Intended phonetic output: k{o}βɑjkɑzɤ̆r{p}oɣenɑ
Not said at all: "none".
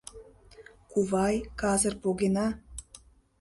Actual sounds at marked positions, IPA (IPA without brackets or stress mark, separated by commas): u, p